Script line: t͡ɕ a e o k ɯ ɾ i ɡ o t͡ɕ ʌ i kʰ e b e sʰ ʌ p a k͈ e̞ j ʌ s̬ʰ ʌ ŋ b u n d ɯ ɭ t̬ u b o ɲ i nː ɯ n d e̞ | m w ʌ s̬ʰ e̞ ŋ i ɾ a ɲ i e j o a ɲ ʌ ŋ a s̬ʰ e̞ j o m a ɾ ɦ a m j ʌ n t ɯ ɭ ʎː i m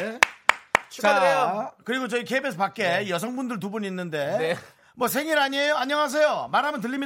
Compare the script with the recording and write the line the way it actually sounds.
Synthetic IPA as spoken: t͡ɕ a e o k ɯ ɾ i ɡ o t͡ɕ ʌ i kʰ e b e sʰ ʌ p a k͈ e̞ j ʌ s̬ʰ ʌ ŋ b u n d ɯ ɭ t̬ u b u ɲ i nː ɯ n d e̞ | m w ʌ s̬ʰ e̞ ŋ i ɾ a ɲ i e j o a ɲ ʌ ŋ a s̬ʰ e̞ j o m a ɾ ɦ a m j ʌ n t ɯ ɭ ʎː i m